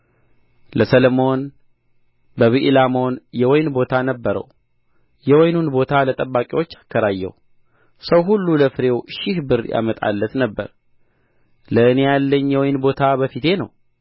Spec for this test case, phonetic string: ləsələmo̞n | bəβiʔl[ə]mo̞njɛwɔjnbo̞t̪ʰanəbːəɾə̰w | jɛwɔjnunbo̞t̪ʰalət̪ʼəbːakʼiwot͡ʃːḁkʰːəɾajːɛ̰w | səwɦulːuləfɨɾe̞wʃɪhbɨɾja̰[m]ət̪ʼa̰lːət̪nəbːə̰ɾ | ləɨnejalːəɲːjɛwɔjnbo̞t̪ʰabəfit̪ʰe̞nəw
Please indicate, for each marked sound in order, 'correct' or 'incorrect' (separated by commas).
incorrect, correct